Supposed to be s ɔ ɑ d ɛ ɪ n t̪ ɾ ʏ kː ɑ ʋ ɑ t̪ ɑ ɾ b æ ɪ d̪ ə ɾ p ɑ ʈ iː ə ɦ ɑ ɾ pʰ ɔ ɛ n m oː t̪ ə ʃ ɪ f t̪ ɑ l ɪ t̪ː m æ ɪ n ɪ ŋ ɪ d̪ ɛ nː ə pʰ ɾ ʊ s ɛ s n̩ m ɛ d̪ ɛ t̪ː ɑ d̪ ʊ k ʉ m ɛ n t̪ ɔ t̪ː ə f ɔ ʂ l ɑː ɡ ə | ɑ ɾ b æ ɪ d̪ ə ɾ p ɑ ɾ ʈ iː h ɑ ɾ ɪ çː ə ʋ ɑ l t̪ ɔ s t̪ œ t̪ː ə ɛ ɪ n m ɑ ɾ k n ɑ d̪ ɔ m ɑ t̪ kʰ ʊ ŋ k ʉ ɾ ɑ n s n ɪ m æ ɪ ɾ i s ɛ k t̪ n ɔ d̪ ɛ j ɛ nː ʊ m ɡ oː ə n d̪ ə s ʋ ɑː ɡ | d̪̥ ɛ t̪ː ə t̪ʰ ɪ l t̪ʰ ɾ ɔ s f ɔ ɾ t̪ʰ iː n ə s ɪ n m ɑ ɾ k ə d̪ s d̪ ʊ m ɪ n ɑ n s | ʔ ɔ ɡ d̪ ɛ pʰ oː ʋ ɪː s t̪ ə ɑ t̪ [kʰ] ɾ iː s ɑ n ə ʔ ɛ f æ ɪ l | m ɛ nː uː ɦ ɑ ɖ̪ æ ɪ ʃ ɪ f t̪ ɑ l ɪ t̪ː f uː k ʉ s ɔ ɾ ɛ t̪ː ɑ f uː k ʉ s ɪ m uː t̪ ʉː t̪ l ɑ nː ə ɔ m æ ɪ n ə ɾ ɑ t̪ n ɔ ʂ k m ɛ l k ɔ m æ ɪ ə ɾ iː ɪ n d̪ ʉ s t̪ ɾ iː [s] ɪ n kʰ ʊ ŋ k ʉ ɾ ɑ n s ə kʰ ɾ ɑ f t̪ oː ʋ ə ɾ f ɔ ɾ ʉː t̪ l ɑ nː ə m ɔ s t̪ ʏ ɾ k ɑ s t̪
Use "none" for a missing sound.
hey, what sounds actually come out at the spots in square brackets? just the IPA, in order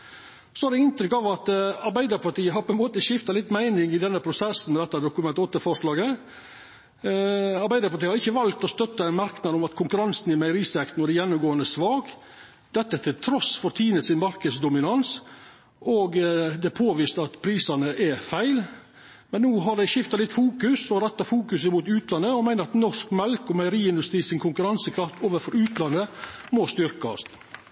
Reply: pʰ, s

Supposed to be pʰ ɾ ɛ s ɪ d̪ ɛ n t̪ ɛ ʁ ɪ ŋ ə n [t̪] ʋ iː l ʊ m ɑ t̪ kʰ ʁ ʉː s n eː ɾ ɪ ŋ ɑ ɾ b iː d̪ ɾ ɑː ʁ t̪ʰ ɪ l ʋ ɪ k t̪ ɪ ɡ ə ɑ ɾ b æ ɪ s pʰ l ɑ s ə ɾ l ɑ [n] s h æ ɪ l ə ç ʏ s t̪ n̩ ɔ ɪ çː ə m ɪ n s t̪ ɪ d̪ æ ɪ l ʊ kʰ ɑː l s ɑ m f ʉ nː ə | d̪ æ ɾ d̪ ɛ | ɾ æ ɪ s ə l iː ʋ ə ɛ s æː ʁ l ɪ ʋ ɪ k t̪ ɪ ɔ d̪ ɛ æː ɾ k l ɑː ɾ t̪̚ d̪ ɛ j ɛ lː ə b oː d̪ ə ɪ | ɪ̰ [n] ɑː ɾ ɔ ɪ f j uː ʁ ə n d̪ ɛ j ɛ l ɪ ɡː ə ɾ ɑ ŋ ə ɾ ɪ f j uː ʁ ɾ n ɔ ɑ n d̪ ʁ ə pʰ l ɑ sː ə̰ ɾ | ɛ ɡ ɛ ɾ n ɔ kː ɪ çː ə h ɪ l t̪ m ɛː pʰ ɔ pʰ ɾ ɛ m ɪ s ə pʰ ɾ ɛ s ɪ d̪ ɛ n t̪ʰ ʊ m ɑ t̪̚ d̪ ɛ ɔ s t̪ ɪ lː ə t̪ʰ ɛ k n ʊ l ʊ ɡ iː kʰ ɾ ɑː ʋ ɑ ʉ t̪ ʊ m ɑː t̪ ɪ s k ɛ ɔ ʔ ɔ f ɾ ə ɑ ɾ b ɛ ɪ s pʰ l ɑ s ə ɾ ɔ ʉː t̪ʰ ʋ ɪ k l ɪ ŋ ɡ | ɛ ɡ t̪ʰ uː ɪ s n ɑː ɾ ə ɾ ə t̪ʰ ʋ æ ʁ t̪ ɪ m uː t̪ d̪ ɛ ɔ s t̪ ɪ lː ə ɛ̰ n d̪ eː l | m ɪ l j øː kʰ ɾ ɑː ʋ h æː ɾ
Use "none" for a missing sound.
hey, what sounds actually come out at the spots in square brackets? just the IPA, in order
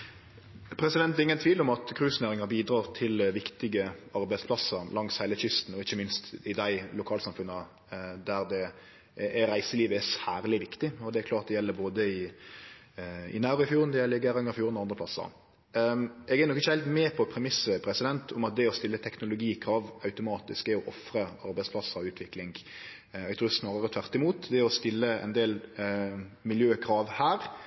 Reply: t̪ʰ, ŋ, n

